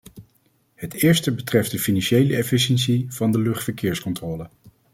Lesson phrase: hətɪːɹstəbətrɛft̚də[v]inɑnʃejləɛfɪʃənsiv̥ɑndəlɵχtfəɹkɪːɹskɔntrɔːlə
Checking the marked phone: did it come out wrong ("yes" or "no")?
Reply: yes